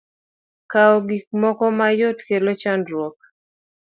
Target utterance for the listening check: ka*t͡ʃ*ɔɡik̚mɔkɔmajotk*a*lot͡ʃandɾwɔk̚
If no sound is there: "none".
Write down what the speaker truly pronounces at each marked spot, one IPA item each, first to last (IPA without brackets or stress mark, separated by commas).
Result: none, e